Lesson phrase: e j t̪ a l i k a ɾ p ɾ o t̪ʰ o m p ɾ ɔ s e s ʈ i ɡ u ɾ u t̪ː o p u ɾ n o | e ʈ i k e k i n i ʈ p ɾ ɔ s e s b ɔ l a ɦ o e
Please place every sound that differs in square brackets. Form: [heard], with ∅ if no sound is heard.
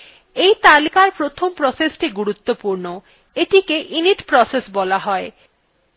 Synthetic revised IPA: e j t̪ a l i k a ɾ p ɾ o t̪ʰ o m p ɾ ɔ s e s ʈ i ɡ u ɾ u t̪ː o p u ɾ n o | e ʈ i k e [ʔ] i n i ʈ p ɾ ɔ s e s b ɔ l a ɦ [ɔ] e